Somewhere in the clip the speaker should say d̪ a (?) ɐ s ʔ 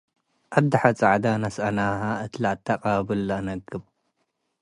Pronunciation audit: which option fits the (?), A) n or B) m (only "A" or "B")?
A